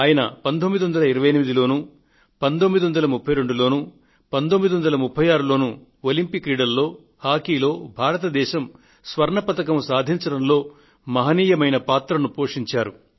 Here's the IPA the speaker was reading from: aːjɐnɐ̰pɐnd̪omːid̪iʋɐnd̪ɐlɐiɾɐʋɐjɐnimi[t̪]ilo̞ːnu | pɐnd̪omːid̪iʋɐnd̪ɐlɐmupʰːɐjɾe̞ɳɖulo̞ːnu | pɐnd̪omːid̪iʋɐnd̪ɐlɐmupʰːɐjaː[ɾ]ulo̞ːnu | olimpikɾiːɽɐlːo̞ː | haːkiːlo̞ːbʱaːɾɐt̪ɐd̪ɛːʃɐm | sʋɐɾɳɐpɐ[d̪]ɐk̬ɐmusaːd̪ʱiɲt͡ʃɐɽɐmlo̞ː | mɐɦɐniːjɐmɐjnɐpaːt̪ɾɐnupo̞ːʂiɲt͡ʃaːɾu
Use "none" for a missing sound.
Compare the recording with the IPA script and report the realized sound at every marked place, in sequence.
d̪, ɾ, t̪

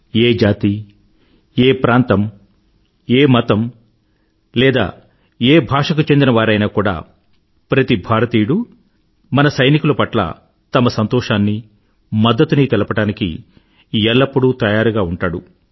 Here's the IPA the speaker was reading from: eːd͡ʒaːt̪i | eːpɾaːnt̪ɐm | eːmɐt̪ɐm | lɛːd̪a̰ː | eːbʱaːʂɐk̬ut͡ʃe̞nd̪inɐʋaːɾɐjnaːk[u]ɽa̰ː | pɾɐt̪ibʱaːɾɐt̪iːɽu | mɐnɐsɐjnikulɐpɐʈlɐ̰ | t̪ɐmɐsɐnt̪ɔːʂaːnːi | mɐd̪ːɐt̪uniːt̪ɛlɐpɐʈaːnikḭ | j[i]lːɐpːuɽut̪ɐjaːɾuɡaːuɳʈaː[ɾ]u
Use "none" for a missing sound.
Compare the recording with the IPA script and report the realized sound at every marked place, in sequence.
uː, ɛ, ɽ

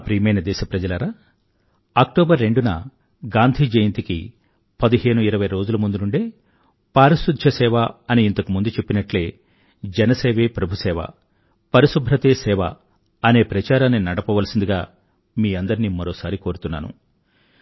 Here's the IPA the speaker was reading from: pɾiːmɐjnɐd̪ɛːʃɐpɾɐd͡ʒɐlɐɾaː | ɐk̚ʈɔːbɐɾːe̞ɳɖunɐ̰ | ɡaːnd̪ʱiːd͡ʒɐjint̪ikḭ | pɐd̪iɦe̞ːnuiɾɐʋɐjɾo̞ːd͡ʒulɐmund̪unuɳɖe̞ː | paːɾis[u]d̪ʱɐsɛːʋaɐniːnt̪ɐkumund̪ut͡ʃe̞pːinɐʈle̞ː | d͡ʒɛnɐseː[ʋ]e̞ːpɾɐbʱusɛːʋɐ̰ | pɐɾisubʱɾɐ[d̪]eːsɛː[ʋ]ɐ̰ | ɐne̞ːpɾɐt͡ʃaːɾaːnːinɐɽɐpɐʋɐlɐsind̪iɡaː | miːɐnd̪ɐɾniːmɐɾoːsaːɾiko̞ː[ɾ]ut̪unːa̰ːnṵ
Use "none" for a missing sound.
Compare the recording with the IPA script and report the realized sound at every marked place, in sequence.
u, ʋ, t̪, ʋ, ɾ

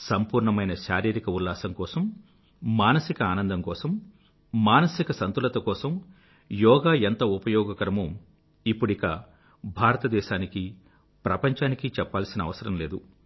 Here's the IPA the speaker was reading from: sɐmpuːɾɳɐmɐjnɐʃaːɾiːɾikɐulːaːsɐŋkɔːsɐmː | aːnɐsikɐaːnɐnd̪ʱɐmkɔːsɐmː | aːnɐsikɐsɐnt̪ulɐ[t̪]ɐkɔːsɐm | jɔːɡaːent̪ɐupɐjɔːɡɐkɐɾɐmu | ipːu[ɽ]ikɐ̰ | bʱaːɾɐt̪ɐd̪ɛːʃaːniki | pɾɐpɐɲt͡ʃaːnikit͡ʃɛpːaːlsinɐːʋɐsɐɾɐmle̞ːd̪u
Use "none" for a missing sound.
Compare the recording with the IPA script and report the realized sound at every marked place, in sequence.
t̪, ɽ

